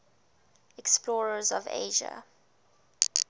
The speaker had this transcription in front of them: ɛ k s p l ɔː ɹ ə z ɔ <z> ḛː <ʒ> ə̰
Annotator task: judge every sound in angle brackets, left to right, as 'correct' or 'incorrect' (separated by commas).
incorrect, correct